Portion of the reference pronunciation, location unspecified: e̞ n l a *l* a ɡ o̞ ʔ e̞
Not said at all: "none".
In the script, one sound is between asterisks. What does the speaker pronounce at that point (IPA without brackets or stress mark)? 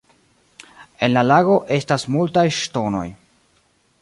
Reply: l